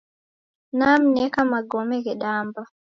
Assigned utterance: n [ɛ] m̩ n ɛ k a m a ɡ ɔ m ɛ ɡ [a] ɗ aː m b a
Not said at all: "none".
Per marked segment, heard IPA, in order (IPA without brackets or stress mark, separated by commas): a, ɛ